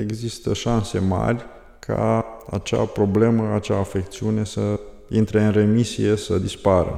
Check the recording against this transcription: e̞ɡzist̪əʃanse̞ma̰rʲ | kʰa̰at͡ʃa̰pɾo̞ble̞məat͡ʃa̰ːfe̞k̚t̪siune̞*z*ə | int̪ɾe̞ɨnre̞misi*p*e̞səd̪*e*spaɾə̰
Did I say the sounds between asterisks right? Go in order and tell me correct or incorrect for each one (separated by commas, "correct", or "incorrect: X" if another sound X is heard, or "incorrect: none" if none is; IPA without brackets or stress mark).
incorrect: s, incorrect: none, incorrect: i